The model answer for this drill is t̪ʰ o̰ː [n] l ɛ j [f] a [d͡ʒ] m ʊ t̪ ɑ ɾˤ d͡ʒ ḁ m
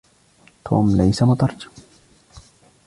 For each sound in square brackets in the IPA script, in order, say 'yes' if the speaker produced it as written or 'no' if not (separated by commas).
no, no, no